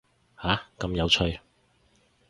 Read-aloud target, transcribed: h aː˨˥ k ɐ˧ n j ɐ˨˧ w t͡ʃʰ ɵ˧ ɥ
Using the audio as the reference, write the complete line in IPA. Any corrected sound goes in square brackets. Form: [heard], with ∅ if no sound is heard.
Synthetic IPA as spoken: h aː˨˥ k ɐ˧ [m] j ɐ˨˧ w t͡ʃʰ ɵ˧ ɥ